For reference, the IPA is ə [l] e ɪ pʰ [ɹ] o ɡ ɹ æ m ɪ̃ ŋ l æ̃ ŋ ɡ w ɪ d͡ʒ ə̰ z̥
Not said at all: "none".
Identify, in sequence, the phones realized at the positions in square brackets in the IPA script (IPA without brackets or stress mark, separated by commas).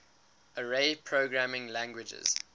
ɹ, ɹ